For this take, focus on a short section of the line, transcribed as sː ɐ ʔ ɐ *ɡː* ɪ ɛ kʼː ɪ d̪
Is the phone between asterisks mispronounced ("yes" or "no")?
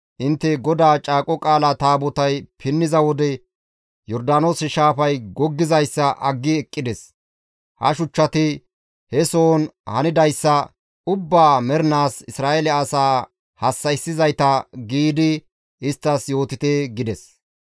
no